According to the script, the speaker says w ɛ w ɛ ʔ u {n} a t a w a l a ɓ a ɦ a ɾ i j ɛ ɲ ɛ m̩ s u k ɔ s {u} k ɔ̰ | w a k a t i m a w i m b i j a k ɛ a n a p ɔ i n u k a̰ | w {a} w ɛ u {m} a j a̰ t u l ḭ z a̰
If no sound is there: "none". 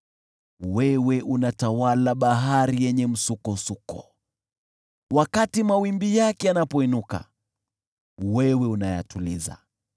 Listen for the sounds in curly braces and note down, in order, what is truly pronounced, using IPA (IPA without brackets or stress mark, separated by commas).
n, u, ɛ, n